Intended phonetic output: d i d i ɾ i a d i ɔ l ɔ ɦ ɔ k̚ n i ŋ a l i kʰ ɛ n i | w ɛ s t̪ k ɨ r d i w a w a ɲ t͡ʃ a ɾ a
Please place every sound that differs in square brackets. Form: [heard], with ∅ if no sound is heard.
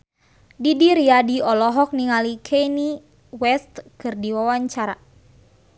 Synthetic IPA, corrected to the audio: d i d i ɾ i a d i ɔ l ɔ ɦ ɔ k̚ n i ŋ a l i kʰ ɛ n i | w ɛ s t̪ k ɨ r d i w a w a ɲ t͡ʃ a ɾ a